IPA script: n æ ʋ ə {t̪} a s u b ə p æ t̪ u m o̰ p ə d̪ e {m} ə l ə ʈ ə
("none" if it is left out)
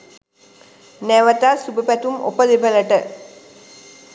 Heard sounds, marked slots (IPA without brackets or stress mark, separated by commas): t̪, b